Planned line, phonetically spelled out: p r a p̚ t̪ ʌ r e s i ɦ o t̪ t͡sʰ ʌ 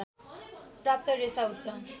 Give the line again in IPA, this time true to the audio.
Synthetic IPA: p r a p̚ t̪ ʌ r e s a ɦ u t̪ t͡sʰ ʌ